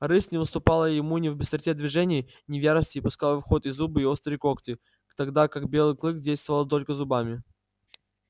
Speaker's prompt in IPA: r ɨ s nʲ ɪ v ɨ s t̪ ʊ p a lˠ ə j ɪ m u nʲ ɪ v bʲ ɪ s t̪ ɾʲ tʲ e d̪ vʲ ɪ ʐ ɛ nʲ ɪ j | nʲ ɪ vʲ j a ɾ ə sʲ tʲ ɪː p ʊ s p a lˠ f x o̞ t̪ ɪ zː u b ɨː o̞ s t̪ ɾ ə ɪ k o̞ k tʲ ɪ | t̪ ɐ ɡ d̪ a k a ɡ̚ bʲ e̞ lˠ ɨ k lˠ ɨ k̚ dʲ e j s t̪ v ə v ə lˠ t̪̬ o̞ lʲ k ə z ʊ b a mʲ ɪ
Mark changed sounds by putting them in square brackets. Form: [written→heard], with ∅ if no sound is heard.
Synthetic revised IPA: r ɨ s nʲ ɪ v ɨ s t̪ ʊ p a lˠ ə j ɪ m u nʲ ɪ v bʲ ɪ s t̪ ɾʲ tʲ e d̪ vʲ ɪ ʐ ɛ nʲ ɪ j | nʲ ɪ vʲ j a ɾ ə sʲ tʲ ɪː p ʊ s [p→k] a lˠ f x o̞ t̪ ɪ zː u b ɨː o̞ s t̪ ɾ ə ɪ k o̞ k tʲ ɪ | t̪ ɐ ɡ d̪ a k a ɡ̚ bʲ e̞ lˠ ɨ k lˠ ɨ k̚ dʲ e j s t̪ v ə v ə lˠ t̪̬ o̞ lʲ k ə z ʊ b a mʲ ɪ